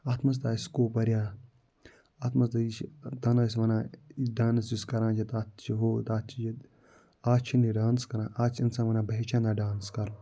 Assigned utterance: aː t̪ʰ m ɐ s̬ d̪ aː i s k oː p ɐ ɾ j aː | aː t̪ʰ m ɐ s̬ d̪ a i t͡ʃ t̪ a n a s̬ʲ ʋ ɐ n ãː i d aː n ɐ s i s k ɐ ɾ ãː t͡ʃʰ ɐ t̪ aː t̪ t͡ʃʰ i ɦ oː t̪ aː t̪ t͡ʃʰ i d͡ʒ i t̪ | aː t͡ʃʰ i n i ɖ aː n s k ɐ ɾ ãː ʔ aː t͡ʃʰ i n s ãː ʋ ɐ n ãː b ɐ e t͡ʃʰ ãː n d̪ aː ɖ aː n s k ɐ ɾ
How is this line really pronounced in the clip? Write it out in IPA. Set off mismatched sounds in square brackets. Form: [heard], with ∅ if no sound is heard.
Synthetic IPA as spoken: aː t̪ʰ m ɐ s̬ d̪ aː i s k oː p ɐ ɾ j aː | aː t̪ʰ m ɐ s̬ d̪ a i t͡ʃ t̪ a n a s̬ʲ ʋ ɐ n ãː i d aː n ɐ s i s k ɐ ɾ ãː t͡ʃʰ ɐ t̪ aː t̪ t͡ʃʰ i ɦ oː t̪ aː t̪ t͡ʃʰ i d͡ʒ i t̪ | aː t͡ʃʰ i n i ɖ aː n s k ɐ ɾ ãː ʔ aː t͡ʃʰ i n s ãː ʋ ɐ n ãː b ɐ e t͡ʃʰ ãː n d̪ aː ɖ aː n s k ɐ ɾ

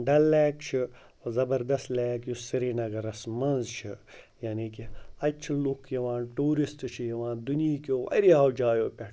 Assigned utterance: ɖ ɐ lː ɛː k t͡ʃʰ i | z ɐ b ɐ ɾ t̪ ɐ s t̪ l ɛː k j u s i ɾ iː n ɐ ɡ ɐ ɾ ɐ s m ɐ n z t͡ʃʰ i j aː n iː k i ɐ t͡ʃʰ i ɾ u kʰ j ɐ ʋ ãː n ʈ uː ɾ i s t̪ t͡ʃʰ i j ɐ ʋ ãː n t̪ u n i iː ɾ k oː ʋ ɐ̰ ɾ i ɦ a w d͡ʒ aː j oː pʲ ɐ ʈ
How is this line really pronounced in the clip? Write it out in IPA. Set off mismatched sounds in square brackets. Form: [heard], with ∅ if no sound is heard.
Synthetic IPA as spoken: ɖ ɐ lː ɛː k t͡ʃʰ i | z ɐ b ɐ ɾ [d̪] ɐ s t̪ l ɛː k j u s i ɾ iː n ɐ ɡ ɐ ɾ ɐ s m ɐ n z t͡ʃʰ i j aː n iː k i ɐ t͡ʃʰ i [l] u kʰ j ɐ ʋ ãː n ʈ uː ɾ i s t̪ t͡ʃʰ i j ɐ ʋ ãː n [d̪] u n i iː [∅] k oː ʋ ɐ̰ ɾ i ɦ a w d͡ʒ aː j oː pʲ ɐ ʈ

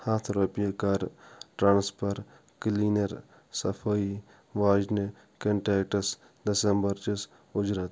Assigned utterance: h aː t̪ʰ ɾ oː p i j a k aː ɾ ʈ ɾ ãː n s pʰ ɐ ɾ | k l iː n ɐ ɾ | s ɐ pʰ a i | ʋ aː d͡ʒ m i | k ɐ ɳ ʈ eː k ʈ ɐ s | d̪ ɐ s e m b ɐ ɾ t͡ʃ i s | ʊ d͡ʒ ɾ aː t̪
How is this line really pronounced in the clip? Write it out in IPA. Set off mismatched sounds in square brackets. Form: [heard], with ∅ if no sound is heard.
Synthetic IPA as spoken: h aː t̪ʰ ɾ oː p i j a k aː ɾ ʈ ɾ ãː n s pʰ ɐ ɾ | k l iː n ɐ ɾ | s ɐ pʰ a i | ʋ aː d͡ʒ [n] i | k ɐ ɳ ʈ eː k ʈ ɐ s | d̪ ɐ s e m b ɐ ɾ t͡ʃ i s | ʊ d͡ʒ ɾ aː t̪

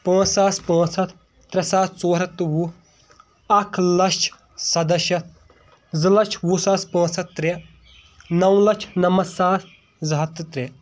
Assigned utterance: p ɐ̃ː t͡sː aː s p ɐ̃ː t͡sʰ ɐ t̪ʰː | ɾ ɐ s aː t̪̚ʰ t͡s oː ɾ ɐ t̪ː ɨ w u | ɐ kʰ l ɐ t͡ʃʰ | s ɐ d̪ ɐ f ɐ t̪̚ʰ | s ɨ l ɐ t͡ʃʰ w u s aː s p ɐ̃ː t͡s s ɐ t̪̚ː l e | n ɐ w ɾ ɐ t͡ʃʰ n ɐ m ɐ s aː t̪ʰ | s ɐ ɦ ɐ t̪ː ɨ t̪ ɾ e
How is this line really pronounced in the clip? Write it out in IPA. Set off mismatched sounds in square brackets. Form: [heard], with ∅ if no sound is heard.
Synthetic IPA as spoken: p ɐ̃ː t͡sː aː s p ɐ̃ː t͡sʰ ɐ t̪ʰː | ɾ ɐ s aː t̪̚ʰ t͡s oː ɾ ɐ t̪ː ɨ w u | ɐ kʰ l ɐ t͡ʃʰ | s ɐ d̪ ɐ [ʃ] ɐ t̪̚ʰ | [z] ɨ l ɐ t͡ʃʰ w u s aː s p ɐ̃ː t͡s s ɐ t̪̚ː [ɾ] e | n ɐ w [l] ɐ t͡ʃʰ n ɐ m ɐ s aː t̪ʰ | [z] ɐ ɦ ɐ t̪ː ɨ t̪ ɾ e

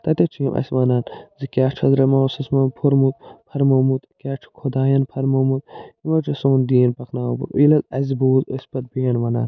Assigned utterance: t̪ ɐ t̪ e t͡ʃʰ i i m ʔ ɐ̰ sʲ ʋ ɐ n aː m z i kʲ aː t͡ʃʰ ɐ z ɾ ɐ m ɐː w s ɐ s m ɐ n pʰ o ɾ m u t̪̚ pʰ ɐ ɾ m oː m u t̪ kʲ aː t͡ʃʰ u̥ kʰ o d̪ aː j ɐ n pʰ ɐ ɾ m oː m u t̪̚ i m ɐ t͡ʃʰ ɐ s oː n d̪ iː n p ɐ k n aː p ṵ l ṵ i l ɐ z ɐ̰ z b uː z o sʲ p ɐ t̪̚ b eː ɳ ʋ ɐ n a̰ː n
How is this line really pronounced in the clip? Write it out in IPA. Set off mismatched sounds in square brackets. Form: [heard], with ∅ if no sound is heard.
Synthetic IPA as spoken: t̪ ɐ t̪ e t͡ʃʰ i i m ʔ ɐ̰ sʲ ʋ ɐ n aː [n] z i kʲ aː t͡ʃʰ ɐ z ɾ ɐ m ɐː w s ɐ s m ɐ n pʰ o ɾ m u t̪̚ pʰ ɐ ɾ m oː m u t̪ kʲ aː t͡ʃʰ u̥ kʰ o d̪ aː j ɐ n pʰ ɐ ɾ m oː m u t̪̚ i m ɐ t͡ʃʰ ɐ s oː n d̪ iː n p ɐ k n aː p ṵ [ɾ] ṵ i l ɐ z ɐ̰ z b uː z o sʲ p ɐ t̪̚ b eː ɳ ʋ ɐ n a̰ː n

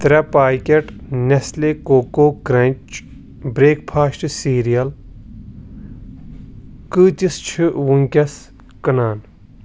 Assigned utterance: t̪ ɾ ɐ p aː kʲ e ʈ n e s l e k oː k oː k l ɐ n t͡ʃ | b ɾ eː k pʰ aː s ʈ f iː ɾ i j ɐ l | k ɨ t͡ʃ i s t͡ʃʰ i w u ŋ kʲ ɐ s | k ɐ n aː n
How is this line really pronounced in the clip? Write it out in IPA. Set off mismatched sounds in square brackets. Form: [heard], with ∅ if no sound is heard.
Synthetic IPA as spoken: t̪ ɾ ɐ p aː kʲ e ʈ n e s l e k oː k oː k [ɾ] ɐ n t͡ʃ | b ɾ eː k pʰ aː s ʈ [s] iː ɾ i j ɐ l | k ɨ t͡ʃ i s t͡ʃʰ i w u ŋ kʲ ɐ s | k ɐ n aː n

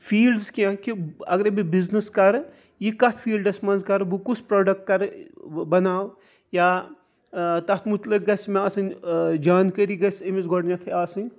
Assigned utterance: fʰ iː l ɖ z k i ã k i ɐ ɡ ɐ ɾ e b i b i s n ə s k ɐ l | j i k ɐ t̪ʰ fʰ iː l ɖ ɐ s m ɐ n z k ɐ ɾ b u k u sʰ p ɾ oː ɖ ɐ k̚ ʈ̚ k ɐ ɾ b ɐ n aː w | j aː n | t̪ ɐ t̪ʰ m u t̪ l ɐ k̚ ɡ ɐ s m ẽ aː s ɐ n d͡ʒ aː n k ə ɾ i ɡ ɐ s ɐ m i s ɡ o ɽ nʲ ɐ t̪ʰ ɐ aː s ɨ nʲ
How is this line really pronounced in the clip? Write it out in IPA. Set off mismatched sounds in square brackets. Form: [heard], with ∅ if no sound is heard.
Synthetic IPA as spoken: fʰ iː l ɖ z k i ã k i ɐ ɡ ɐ ɾ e b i b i [z] n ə s k ɐ [ɾ] | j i k ɐ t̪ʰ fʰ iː l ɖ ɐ s m ɐ n z k ɐ ɾ b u k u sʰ p ɾ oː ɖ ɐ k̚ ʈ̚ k ɐ ɾ b ɐ n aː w | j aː [∅] | t̪ ɐ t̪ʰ m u t̪ l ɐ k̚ ɡ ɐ s m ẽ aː s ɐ n d͡ʒ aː n k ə ɾ i ɡ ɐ s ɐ m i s ɡ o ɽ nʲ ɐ t̪ʰ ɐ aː s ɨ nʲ

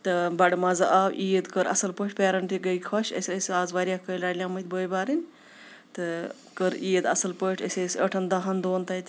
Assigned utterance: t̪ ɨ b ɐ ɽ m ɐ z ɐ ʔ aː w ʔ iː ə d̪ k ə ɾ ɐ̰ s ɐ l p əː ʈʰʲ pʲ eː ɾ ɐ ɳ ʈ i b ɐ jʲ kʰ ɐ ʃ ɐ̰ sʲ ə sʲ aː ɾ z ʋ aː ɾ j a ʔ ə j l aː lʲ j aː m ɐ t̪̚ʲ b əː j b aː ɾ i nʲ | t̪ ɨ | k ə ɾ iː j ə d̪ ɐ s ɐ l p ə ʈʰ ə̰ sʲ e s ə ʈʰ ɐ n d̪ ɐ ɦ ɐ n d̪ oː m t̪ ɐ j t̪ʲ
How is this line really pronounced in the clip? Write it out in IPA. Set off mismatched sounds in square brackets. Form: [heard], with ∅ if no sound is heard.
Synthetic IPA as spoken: t̪ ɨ b ɐ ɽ m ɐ z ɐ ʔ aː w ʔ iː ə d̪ k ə ɾ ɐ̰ s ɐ l p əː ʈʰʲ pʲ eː ɾ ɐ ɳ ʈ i [ɡ] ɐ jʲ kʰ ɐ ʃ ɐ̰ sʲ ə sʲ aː [∅] z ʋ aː ɾ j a [k] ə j l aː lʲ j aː m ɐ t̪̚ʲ b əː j b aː ɾ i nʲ | t̪ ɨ | k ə ɾ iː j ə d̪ ɐ s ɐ l p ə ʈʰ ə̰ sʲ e s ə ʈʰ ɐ n d̪ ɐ ɦ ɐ n d̪ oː [n] t̪ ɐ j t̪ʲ

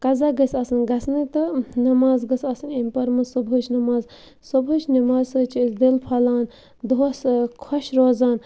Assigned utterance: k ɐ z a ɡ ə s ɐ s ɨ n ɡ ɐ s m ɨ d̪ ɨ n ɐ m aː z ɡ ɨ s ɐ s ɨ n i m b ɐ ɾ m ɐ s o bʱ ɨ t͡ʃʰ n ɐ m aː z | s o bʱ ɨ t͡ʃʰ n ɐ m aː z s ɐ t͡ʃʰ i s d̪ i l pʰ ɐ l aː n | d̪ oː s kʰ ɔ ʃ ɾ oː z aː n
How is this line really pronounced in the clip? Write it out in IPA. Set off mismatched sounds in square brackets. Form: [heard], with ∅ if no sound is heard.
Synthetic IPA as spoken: k ɐ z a ɡ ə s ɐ s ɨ n ɡ ɐ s [n] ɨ [t̪] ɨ n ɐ m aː z ɡ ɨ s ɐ s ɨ n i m [p] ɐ ɾ m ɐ s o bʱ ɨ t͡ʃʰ n ɐ m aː z | s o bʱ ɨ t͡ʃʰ n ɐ m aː z s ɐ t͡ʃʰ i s d̪ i l pʰ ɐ l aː n | d̪ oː s kʰ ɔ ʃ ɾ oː z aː n

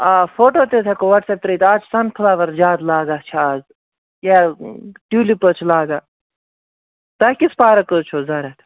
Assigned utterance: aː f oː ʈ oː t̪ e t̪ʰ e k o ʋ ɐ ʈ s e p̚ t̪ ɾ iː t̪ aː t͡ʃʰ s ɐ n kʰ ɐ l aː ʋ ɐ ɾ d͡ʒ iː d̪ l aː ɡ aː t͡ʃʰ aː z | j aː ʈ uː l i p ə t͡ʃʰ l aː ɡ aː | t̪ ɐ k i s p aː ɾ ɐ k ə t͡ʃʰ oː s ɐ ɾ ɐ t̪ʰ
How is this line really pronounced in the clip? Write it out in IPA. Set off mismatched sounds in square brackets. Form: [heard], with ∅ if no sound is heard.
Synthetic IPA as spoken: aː f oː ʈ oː t̪ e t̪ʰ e k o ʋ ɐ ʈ s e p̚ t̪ ɾ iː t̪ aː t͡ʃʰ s ɐ n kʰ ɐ l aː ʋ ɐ ɾ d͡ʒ [aː] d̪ l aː ɡ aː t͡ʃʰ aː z | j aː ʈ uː l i p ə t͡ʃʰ l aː ɡ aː | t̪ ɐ k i s p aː ɾ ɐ k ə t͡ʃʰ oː [z] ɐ ɾ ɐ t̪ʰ

